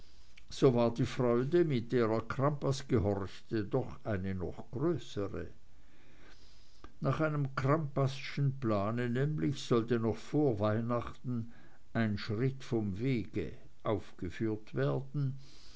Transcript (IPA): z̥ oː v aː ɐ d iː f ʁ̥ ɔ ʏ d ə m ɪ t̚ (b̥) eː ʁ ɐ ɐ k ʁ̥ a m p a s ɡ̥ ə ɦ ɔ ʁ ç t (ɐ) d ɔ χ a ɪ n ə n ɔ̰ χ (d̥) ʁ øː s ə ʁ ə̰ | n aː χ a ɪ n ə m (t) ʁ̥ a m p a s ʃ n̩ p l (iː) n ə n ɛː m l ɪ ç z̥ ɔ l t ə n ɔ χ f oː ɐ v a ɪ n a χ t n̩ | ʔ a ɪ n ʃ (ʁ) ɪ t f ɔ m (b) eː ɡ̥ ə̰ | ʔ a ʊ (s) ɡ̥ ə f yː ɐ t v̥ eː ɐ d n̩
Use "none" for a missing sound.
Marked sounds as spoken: d̥, ə, ɡ̥, k, aː, ʁ, v, f

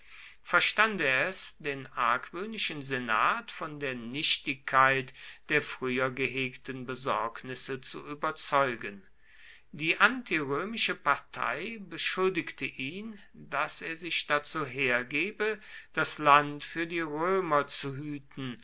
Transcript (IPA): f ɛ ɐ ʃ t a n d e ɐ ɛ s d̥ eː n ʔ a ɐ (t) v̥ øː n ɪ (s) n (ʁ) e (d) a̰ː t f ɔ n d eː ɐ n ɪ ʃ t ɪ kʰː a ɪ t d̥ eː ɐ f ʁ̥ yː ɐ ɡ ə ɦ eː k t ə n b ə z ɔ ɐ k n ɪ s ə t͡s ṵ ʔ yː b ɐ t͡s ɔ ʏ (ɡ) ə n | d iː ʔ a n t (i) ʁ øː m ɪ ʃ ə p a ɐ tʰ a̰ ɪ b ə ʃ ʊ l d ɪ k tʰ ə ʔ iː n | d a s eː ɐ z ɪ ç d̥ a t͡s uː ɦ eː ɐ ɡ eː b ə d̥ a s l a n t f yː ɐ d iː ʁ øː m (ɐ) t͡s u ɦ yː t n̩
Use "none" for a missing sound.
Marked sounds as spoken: k, ʃ, z, n, ɡ, i, ɐ

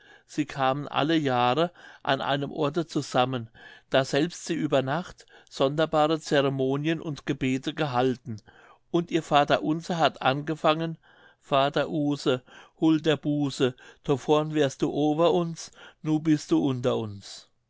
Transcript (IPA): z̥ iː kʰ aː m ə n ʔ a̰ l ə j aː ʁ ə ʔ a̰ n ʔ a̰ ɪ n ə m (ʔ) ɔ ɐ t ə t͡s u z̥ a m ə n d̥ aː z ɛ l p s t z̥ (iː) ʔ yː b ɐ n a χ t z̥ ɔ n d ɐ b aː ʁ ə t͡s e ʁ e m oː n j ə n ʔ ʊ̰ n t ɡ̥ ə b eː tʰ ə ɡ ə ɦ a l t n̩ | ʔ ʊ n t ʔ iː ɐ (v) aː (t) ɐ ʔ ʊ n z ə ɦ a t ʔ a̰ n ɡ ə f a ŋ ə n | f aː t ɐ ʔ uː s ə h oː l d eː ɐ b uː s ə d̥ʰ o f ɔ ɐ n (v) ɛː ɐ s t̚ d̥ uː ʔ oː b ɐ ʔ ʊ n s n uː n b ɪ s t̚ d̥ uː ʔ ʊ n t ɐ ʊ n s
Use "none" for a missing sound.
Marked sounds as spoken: ʔ, iː, f, t, v

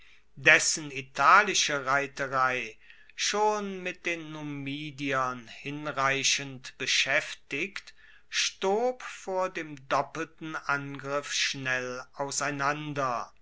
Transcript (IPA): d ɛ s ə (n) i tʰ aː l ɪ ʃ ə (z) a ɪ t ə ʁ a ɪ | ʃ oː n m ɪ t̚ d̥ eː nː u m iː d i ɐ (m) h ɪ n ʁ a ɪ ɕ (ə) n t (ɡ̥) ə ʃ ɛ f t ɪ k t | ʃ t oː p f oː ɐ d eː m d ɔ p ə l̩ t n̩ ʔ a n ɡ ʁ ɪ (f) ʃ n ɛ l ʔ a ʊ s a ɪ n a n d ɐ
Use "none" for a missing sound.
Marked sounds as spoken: n, ʁ, n, ə, b̥, f

